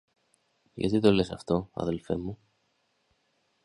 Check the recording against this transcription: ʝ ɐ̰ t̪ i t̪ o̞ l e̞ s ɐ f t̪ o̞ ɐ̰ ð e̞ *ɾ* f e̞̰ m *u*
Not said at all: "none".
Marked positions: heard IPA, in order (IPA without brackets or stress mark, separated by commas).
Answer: l, u